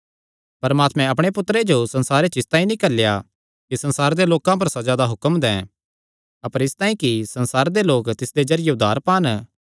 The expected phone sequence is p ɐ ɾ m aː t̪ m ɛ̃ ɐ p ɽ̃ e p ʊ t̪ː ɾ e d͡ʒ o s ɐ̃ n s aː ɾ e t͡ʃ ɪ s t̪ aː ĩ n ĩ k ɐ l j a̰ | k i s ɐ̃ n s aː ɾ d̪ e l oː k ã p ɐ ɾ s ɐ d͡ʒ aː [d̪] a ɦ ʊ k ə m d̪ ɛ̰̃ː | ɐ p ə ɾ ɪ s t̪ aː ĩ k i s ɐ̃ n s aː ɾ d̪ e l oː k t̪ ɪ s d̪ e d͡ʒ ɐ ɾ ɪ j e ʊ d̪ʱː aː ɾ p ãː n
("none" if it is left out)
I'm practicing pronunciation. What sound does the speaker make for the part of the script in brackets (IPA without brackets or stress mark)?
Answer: d̪